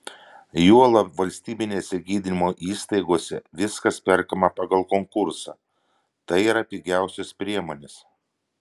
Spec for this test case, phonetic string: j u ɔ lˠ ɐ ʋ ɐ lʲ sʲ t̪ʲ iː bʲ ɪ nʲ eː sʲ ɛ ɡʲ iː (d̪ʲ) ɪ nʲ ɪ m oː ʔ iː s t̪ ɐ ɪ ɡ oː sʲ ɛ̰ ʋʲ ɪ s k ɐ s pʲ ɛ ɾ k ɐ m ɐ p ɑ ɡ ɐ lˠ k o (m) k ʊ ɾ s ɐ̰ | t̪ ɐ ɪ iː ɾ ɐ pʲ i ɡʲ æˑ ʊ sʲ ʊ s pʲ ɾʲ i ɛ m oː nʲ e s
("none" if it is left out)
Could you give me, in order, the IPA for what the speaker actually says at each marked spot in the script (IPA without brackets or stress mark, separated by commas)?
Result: d̪ʲ, ŋ